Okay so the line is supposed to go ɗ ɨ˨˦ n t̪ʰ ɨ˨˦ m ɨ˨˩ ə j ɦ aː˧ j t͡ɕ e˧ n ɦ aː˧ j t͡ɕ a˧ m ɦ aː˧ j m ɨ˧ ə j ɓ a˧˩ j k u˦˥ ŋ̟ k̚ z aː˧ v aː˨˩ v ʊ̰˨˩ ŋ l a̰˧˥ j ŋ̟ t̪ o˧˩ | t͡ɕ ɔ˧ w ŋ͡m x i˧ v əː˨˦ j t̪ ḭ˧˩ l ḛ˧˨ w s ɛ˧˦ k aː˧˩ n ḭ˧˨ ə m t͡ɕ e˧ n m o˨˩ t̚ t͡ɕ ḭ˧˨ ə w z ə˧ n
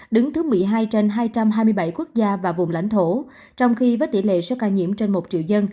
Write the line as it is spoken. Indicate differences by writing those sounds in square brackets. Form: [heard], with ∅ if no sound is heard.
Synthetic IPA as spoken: ɗ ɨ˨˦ [ŋ] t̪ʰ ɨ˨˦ m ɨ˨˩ ə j ɦ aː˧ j t͡ɕ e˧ n ɦ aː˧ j t͡ɕ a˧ m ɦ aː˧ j m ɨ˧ ə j ɓ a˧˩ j k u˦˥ [∅] k̚ z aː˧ v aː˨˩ v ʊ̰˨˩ [ŋ͡m] l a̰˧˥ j ŋ̟ [t̪ʰ] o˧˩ | t͡ɕ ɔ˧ w ŋ͡m x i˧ v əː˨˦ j t̪ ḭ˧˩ l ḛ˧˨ [∅] s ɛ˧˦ k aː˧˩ [ɲ] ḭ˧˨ ə m t͡ɕ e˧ n m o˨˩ t̚ t͡ɕ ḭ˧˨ ə w z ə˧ n